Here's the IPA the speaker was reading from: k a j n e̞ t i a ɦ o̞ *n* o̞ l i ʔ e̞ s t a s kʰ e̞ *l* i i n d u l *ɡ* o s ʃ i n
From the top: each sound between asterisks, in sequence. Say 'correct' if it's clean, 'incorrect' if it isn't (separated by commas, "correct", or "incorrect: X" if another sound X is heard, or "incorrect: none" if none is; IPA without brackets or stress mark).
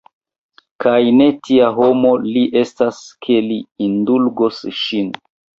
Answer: incorrect: m, correct, correct